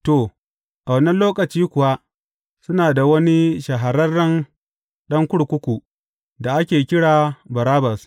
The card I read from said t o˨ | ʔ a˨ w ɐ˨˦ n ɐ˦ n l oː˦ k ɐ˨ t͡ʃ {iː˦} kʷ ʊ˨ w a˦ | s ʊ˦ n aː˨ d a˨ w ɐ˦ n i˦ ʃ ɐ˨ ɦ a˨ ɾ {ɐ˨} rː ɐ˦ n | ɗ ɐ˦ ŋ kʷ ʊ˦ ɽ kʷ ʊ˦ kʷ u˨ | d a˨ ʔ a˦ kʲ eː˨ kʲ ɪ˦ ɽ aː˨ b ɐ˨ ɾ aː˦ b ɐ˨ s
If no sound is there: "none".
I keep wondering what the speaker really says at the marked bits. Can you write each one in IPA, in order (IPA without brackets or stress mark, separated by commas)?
iː˦, ɐ˦